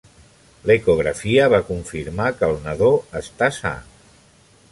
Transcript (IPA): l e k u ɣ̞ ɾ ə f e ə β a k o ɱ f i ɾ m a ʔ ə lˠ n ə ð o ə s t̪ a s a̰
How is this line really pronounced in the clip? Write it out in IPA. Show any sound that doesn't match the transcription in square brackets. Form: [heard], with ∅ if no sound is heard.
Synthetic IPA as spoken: l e k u ɣ̞ ɾ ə f [i] ə β a k [u] ɱ f i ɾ m a [k] ə lˠ n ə ð o ə s t̪ a s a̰